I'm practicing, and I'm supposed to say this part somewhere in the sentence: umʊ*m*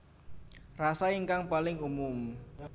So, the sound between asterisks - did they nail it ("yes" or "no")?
yes